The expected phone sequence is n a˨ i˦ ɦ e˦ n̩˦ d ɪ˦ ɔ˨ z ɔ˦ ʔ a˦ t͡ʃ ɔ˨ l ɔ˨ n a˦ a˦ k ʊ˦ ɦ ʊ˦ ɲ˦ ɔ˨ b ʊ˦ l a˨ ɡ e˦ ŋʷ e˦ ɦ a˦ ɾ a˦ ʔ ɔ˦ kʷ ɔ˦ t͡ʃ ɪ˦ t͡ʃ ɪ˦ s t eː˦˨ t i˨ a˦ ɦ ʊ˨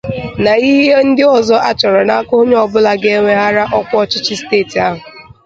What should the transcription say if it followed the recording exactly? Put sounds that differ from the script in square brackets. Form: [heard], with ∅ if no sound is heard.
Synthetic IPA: n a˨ i˦ ɦ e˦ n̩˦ d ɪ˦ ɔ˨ z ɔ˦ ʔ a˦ t͡ʃ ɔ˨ [ɾ] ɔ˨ n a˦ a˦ k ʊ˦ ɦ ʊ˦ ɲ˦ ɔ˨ b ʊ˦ l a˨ ɡ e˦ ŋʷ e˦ ɦ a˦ ɾ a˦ ʔ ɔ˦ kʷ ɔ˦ t͡ʃ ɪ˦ t͡ʃ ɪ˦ s t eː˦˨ t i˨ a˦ ɦ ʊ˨